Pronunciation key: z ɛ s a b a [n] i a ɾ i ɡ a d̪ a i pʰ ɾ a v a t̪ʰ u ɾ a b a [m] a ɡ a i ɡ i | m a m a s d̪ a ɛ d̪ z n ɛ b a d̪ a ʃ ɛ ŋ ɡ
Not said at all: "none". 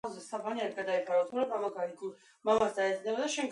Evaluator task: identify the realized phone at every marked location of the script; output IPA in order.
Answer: n, m

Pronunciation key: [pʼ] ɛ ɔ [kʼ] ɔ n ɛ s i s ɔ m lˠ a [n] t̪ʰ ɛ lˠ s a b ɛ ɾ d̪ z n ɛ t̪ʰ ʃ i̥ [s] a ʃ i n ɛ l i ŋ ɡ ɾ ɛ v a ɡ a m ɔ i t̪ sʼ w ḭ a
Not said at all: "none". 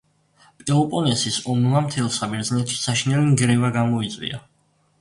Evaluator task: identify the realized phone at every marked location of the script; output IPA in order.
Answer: pʼ, pʼ, m, s

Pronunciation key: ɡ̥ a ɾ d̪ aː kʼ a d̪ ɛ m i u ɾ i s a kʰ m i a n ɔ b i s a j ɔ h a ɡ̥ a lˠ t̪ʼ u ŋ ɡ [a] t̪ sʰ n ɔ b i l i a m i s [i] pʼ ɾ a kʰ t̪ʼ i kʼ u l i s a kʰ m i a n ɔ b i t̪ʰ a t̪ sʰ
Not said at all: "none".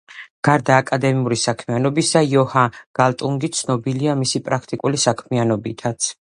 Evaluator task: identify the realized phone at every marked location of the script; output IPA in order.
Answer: i, i

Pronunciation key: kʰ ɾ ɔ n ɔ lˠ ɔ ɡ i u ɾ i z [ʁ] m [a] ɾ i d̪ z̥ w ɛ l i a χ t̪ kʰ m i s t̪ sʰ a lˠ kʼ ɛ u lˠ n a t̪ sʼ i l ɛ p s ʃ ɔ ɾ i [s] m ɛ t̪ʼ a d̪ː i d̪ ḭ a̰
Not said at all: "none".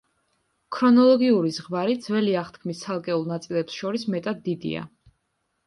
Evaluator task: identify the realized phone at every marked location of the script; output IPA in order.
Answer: ʁ, a, s

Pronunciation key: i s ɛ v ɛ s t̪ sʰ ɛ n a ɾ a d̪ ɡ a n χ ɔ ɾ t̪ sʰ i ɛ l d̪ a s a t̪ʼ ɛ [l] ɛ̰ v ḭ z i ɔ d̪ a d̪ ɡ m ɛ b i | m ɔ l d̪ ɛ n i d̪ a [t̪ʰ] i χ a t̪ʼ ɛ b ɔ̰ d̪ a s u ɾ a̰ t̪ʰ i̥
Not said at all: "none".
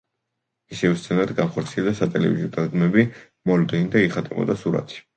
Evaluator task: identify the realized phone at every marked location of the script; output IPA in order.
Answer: l, none

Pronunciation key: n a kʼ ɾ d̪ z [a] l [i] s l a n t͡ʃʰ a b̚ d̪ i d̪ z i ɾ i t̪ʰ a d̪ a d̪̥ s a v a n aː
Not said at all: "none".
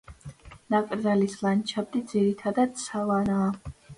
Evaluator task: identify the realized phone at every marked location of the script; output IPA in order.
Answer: a, i

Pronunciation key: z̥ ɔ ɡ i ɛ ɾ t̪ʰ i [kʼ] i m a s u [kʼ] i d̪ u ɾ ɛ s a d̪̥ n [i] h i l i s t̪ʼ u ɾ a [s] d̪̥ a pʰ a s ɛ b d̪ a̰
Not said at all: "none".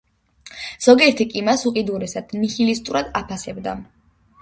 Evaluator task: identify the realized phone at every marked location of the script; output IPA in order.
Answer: kʼ, qʼ, i, none

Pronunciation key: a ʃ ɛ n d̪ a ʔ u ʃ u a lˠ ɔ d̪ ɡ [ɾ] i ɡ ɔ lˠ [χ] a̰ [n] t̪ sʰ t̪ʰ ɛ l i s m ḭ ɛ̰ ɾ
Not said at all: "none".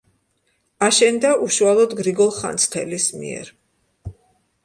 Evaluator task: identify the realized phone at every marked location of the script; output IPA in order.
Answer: ɾ, χ, n

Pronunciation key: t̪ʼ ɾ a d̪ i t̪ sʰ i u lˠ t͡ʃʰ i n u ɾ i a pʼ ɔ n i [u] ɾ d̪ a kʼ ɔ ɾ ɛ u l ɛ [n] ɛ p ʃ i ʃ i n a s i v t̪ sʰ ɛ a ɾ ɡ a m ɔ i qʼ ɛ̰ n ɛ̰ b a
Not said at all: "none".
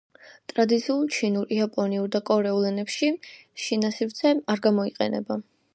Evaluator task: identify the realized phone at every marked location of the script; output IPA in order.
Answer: u, n

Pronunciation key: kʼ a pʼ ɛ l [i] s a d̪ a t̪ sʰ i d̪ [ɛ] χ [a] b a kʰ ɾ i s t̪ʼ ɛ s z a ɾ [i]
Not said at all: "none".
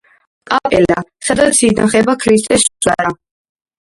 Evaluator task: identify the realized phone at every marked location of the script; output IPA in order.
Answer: a, a, ɛ, a

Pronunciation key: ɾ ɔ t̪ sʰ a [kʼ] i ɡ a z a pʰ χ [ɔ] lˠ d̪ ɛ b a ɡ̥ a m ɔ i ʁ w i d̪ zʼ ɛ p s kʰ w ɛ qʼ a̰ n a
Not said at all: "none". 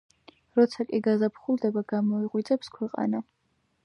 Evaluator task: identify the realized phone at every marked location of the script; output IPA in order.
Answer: kʼ, u

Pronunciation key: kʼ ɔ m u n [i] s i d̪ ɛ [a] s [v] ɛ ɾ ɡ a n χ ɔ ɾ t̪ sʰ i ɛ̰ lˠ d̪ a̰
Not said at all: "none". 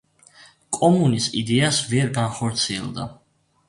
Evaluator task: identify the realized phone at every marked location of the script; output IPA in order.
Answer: i, a, v

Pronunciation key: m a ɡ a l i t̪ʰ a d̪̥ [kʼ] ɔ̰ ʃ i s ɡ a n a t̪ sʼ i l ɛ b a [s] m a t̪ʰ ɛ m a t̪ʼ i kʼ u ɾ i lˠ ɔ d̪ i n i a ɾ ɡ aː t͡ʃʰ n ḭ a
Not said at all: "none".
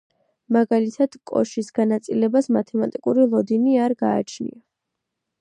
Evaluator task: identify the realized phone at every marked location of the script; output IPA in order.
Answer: kʼ, s

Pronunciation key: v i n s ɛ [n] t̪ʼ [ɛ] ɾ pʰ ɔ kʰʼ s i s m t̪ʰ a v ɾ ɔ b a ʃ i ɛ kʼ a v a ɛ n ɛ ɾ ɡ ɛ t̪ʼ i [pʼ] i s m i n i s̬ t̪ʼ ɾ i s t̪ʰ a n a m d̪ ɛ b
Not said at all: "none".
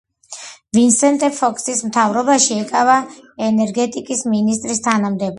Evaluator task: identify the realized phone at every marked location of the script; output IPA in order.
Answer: n, ɛ, kʼ

